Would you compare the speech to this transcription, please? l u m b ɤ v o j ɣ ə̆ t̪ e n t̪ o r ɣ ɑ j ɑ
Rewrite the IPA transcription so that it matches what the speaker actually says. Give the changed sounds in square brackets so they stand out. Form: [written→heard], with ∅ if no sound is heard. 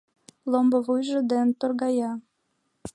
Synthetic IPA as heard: l [u→o] m b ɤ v [o→u] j [ɣ→ʒ] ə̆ [t̪→d̪] e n t̪ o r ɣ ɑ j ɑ